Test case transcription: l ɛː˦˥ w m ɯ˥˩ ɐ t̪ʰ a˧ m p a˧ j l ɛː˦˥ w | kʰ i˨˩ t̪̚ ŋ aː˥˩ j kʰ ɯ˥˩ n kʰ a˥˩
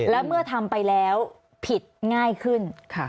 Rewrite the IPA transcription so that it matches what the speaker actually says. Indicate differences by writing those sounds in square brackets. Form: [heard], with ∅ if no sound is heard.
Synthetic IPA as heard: l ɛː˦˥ w m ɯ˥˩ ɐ t̪ʰ a˧ m p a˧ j l ɛː˦˥ w | [pʰ] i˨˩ t̪̚ ŋ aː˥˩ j kʰ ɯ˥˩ n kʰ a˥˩